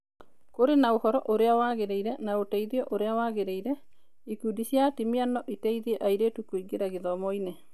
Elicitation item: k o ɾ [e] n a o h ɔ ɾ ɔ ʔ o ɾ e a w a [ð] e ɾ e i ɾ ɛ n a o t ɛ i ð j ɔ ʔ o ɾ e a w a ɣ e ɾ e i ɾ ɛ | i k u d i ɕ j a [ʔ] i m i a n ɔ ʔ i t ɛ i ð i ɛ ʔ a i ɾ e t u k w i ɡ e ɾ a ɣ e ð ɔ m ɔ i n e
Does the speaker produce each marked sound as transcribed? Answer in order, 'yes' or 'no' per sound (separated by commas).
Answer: yes, no, no